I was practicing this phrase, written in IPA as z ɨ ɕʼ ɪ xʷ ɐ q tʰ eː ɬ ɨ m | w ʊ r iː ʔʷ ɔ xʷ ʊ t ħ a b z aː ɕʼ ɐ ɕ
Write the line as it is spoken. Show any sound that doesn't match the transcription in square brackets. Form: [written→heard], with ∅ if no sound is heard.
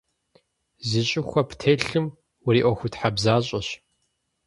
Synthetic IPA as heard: z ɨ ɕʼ ɪ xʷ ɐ [q→p] tʰ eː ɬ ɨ m | w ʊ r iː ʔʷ ɔ xʷ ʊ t ħ a b z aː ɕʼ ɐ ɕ